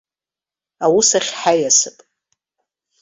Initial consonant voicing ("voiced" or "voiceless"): voiced